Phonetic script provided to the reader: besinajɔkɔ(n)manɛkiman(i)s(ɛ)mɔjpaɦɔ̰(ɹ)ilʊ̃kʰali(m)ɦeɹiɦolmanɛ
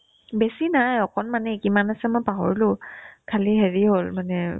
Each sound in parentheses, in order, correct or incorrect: correct, incorrect: a, correct, correct, incorrect: none

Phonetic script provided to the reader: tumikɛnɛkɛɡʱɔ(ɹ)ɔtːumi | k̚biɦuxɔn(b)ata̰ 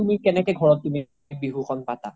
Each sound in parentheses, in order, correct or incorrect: correct, incorrect: p

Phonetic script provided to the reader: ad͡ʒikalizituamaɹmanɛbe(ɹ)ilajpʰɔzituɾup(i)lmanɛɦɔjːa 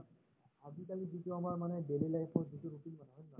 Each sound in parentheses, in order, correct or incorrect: incorrect: l, correct

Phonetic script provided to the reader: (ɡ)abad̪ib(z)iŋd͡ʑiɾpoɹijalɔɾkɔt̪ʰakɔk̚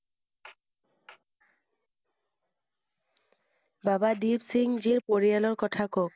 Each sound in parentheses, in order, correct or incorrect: incorrect: b, incorrect: s

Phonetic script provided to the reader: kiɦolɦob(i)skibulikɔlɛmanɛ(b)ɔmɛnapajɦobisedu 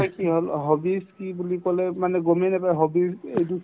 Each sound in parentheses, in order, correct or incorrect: correct, incorrect: ɡ

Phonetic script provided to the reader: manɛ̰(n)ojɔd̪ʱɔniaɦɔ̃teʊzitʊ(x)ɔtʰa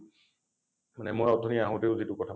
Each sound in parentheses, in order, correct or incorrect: incorrect: m, incorrect: k

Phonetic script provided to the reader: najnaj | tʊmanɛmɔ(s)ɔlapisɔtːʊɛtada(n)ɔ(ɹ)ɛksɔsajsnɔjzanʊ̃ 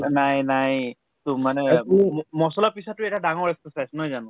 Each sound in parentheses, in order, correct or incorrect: correct, incorrect: ŋ, correct

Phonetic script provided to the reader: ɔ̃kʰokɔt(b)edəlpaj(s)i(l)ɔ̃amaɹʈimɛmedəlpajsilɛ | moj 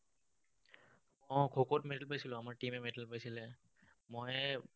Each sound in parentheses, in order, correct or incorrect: incorrect: m, correct, correct

